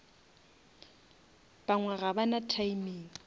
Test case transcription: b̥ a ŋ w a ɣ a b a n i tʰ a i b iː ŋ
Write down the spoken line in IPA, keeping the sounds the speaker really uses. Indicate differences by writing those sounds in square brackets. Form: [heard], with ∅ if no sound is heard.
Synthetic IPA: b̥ a ŋ w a ɣ a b a n [a] tʰ a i [m] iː ŋ